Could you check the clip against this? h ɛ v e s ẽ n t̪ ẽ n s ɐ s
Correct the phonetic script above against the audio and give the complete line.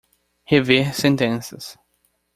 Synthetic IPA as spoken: h e v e s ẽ n t̪ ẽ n s ɐ s